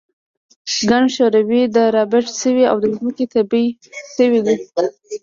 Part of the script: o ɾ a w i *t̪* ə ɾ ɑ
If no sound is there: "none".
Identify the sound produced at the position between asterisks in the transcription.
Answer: d̪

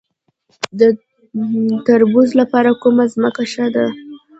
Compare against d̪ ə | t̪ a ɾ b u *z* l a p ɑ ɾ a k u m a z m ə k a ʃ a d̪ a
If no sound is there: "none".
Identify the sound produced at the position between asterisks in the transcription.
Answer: z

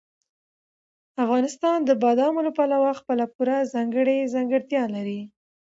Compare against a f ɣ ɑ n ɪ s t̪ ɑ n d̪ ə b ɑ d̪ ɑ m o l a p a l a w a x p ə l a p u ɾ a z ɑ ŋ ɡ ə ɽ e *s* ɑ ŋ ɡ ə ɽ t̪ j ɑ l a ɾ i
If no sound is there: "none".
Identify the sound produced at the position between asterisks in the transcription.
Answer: z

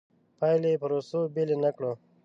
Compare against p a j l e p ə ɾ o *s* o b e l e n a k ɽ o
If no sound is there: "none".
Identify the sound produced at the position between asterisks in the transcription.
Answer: s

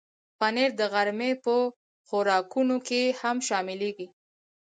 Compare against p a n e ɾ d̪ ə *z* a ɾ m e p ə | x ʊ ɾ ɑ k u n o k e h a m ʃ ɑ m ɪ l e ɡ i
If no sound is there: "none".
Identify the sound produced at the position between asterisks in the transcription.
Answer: ɣ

